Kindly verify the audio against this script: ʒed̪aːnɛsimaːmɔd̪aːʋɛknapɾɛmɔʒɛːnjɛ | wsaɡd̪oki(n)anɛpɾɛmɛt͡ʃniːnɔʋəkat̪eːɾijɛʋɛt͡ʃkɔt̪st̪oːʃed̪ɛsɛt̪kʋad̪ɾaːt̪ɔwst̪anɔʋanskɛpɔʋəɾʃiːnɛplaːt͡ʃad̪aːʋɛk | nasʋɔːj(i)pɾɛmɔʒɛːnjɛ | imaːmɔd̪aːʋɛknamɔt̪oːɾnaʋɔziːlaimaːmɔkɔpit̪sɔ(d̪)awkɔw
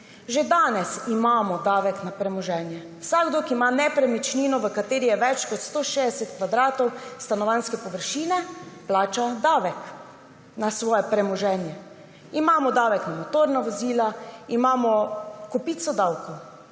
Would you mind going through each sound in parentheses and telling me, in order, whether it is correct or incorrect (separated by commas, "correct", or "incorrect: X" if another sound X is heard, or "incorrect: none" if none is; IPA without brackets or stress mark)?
incorrect: m, incorrect: ɛ, correct